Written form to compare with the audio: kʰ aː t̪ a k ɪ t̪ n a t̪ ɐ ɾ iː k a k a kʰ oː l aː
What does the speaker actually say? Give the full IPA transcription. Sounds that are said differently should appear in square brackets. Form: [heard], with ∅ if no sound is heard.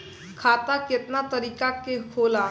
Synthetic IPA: kʰ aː t̪ a k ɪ t̪ n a t̪ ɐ ɾ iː k a k [e] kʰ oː l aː

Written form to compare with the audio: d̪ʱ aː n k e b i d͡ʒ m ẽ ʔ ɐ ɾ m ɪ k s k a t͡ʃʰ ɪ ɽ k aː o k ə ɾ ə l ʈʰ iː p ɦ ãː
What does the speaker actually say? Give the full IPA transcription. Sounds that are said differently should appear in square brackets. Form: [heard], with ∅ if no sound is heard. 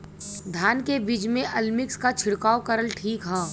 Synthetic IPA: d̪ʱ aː n k e b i d͡ʒ m ẽ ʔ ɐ [l] m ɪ k s k a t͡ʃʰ ɪ ɽ k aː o k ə ɾ ə l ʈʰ iː [k] ɦ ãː

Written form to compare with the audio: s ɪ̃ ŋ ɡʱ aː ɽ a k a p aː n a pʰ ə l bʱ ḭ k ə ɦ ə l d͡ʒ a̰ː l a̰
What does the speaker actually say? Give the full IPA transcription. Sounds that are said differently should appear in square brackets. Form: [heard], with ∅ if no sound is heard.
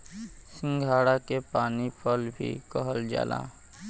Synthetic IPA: s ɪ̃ ŋ ɡʱ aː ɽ a k [e] p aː n [i] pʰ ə l bʱ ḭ k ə ɦ ə l d͡ʒ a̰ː l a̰

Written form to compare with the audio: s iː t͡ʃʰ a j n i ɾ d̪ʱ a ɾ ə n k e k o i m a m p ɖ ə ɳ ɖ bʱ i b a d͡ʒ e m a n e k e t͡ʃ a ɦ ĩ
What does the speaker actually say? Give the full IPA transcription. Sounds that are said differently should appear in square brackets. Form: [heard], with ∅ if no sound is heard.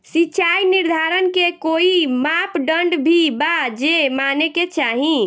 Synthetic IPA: s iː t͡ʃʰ a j n i ɾ d̪ʱ a ɾ ə n k e k o i m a [∅] p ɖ ə ɳ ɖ bʱ i b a d͡ʒ e m a n e k e t͡ʃ a ɦ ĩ

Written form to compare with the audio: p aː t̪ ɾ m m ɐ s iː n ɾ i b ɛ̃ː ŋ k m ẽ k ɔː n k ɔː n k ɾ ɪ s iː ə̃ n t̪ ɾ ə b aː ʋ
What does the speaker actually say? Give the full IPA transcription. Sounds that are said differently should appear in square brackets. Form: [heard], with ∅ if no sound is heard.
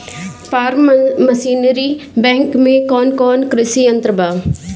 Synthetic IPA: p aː [∅] ɾ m m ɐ s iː n ɾ i b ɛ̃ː ŋ k m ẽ k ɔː n k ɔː n k ɾ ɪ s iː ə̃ n t̪ ɾ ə b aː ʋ

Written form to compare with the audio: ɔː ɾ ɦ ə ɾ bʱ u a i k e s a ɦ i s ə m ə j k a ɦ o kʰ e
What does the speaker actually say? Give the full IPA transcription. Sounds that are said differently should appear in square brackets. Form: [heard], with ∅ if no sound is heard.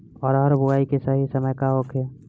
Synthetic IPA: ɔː ɾ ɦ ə ɾ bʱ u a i k e s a ɦ i s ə m ə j k a ɦ o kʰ e

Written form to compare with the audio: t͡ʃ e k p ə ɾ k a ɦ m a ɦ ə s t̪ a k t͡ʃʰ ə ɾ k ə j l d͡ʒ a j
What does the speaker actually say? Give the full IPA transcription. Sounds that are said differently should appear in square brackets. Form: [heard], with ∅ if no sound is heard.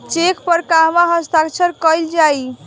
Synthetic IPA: t͡ʃ e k p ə ɾ k a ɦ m a ɦ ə s t̪ a k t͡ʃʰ ə ɾ k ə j l d͡ʒ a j

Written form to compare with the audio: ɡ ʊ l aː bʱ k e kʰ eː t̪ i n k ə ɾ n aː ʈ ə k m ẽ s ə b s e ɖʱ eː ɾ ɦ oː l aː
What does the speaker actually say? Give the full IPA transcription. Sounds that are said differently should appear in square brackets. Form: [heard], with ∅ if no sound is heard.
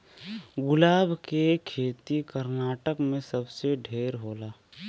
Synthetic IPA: ɡ ʊ l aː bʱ k e kʰ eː t̪ i [∅] k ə ɾ n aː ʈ ə k m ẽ s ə b s e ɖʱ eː ɾ ɦ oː l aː

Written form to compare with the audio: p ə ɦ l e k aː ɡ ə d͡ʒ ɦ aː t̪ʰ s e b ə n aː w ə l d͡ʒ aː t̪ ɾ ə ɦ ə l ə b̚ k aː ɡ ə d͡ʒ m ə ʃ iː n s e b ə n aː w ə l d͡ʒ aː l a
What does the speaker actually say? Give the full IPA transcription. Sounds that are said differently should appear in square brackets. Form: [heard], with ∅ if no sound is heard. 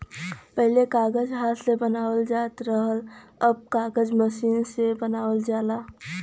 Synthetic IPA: p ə ɦ l e k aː ɡ ə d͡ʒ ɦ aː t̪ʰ s e b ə n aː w ə l d͡ʒ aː t̪ ɾ ə ɦ ə l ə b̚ k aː ɡ ə d͡ʒ m ə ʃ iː n s e b ə n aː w ə l d͡ʒ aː l a

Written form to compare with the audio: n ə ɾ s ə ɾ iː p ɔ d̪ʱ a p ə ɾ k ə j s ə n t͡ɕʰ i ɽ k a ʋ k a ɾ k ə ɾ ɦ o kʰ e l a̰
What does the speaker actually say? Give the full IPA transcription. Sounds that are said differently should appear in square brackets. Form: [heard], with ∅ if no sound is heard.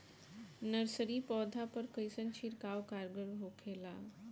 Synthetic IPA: n ə ɾ s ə ɾ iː p ɔ d̪ʱ a p ə ɾ k ə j s ə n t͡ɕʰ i [ɾ] k a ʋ k a ɾ [ɡ] ə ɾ ɦ o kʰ e l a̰

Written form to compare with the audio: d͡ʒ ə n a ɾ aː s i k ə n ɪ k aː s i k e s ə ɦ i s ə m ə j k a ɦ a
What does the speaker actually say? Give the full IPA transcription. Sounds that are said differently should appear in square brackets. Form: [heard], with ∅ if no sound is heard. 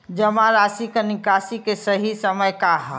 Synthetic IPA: d͡ʒ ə [m] a ɾ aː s i k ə n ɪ k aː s i k e s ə ɦ i s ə m ə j k a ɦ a

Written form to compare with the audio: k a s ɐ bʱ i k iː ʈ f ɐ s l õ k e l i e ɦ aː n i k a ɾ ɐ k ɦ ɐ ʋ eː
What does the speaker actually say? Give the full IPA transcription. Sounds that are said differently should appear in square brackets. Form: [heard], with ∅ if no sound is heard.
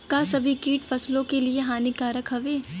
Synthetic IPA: k a s ɐ bʱ i k iː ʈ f ɐ s l õ k e l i e ɦ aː n i k a ɾ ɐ k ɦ ɐ ʋ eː

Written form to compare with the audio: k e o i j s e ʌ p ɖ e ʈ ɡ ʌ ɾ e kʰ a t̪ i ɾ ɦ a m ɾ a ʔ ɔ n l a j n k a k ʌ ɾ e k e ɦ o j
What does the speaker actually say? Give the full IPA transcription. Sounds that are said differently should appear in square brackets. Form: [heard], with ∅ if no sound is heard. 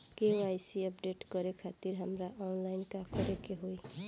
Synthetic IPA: k e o [a] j s [i] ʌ p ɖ e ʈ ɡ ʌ ɾ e kʰ a t̪ i ɾ ɦ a m ɾ a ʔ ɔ n l a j n k a k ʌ ɾ e k e ɦ o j

